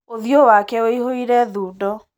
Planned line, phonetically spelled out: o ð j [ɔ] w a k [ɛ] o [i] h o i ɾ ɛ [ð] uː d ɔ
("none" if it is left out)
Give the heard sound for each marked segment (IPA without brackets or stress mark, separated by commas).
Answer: o, ɛ, i, ð